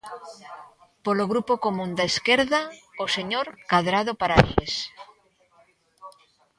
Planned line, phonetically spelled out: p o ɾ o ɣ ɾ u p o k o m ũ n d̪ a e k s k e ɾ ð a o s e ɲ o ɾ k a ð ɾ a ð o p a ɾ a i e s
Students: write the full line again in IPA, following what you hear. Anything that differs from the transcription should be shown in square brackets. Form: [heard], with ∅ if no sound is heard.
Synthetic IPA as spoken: p o [l] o ɣ ɾ u p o k o m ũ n d̪ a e [∅] s k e ɾ ð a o s e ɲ o ɾ k a ð ɾ a ð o p a ɾ a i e s